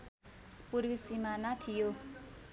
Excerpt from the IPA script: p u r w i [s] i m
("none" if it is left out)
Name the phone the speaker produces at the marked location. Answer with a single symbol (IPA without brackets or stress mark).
s